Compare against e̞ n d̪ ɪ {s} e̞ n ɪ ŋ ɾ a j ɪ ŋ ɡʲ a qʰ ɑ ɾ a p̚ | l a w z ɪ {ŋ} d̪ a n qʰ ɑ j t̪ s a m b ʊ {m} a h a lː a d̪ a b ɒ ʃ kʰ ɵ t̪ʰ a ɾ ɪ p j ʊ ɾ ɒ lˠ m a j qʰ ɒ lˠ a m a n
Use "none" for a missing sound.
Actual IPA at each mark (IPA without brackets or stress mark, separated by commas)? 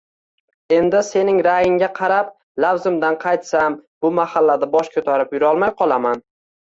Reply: s, m, m